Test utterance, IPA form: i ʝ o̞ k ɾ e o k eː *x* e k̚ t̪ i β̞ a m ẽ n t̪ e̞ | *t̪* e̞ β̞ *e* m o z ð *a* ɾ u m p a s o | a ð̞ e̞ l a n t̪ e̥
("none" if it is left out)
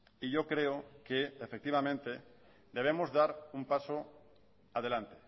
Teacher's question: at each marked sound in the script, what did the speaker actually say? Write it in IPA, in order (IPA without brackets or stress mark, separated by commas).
f, d̪, e, a